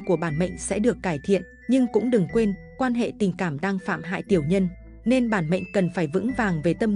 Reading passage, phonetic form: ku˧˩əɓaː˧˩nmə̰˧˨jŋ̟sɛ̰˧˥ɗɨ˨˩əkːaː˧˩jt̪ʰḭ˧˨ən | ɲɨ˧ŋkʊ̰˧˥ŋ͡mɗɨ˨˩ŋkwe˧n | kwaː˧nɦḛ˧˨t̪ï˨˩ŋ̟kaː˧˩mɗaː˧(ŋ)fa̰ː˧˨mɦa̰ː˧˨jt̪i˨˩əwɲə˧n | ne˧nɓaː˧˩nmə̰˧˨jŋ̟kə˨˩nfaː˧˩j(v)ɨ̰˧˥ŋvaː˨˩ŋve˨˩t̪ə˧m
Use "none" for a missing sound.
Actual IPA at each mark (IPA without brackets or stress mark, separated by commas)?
ŋ, v